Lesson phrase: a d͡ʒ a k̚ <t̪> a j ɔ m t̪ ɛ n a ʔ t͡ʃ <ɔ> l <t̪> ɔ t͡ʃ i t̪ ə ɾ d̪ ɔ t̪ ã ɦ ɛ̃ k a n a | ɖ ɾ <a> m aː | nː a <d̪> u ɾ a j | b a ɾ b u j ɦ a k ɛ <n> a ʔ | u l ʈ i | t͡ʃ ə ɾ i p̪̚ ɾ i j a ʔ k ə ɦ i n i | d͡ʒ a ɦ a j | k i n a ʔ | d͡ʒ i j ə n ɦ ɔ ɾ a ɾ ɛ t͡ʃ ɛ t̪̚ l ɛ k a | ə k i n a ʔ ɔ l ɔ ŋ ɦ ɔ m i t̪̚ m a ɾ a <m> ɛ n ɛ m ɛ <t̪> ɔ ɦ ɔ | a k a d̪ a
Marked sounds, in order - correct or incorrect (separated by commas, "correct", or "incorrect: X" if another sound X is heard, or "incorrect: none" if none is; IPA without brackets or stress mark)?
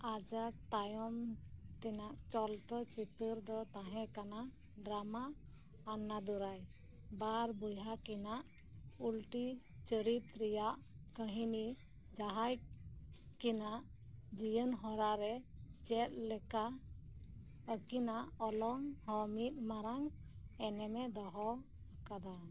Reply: correct, correct, correct, correct, correct, correct, incorrect: ŋ, incorrect: d̪